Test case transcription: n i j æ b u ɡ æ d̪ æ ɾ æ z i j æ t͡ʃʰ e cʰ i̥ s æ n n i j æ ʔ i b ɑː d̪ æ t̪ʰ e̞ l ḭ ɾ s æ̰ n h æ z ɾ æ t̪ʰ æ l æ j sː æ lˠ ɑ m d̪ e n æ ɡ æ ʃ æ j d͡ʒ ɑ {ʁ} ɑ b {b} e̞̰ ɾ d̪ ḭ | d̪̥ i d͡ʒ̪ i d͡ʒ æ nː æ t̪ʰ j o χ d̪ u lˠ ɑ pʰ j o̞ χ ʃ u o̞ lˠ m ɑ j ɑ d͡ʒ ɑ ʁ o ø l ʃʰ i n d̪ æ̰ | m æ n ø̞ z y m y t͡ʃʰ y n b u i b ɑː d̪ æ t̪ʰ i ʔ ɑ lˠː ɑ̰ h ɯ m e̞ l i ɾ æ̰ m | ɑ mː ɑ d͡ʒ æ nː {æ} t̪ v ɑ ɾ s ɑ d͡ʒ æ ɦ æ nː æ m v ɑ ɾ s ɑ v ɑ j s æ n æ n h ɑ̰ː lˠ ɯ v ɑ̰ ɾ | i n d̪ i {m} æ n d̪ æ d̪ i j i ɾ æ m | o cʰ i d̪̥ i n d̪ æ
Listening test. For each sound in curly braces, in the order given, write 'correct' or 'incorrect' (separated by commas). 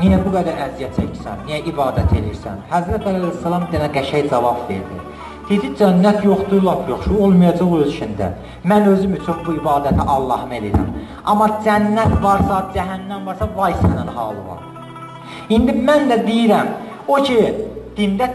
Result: incorrect, incorrect, correct, correct